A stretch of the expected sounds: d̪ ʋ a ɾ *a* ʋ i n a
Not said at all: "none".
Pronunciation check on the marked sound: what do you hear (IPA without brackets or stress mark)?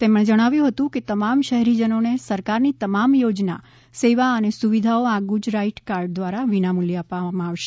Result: a